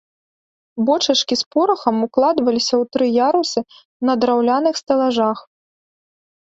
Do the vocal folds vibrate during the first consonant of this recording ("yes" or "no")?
yes